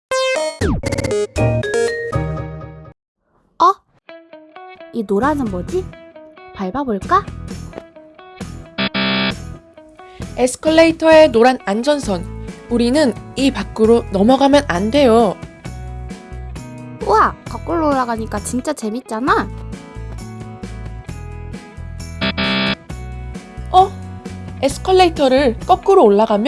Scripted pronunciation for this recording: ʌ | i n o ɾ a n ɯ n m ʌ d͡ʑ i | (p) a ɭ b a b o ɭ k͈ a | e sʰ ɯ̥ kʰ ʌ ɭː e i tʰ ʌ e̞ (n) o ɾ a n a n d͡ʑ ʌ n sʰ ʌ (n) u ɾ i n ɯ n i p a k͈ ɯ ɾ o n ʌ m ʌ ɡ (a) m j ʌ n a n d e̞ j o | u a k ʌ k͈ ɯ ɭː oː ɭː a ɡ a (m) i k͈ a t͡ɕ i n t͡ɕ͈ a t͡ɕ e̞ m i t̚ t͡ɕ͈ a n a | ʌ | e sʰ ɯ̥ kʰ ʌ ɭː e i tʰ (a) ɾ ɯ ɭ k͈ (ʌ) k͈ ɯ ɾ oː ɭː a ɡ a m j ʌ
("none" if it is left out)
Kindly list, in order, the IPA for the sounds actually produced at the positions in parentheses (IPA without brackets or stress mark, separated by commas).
p, n, n, a, ɲ, ʌ, ʌ